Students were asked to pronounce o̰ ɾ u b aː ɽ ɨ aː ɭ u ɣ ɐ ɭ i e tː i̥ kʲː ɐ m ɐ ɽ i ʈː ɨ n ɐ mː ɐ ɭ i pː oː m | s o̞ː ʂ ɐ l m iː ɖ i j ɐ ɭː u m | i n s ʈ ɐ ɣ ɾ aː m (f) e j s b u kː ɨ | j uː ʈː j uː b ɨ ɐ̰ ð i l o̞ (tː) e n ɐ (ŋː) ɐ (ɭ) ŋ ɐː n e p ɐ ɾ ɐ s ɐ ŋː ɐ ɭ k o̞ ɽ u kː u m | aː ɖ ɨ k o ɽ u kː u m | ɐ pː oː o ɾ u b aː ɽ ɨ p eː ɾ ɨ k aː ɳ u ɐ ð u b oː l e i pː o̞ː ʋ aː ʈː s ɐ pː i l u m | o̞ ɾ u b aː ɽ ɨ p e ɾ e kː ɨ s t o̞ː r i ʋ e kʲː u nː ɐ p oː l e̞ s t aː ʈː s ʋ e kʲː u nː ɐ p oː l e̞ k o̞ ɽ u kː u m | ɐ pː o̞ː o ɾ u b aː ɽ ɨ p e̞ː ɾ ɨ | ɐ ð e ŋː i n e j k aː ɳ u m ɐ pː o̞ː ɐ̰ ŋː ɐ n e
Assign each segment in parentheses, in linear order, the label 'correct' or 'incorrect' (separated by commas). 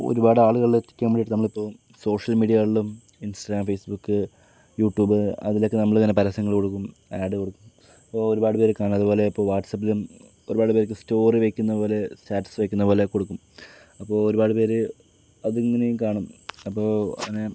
correct, incorrect, incorrect, correct